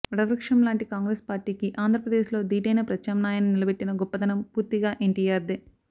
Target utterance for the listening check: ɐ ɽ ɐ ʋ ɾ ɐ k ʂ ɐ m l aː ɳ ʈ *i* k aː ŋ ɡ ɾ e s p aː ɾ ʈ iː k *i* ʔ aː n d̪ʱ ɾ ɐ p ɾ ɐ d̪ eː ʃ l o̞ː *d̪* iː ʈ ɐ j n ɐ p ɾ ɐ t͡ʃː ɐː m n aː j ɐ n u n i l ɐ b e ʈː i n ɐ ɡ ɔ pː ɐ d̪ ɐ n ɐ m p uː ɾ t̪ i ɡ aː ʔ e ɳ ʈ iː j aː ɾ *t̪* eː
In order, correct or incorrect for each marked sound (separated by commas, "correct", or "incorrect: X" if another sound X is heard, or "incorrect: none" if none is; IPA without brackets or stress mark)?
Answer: correct, correct, correct, incorrect: d̪